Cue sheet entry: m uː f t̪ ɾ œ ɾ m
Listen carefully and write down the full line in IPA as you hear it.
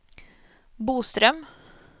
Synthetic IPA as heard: b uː s t̪ ɾ œ m